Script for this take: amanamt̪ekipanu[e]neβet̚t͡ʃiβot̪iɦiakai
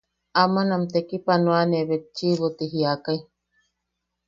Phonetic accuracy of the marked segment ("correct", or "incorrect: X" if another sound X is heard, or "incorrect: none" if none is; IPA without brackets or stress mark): incorrect: a